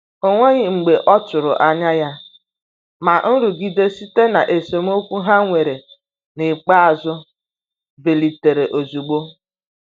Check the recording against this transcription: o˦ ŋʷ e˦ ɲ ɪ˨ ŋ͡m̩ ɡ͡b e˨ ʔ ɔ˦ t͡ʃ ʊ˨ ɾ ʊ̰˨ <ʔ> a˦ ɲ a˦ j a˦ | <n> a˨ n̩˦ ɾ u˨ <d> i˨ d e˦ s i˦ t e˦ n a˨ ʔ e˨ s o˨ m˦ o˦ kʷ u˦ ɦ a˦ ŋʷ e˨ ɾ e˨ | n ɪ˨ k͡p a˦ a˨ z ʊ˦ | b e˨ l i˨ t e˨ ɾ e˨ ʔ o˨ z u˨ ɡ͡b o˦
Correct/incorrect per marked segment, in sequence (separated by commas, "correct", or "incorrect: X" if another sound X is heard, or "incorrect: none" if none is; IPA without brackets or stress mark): correct, incorrect: m, incorrect: ɡ